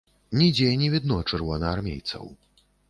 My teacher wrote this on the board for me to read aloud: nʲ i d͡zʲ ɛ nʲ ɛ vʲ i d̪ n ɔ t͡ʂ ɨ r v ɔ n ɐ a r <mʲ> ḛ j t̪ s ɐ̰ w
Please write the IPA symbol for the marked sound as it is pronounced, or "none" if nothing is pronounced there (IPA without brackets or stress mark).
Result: mʲ